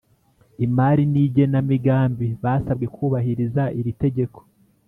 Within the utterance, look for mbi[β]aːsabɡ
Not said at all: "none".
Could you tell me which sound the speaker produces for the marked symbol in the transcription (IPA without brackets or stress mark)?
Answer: β